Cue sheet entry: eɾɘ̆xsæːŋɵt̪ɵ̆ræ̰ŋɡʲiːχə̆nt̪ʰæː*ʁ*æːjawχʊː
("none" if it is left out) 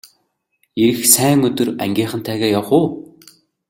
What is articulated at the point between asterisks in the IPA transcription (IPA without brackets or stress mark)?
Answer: ɣ